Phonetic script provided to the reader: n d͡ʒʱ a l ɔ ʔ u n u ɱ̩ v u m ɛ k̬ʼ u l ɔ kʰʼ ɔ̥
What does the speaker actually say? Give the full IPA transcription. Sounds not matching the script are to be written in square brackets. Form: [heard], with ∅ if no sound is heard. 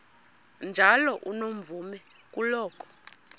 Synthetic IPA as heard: n d͡ʒʱ a l ɔ ʔ u n [o] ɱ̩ v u m ɛ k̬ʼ u l [ɔː] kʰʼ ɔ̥